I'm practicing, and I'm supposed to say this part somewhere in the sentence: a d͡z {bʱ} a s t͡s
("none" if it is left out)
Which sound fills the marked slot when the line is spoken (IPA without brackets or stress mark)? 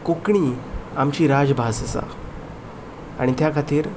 bʱ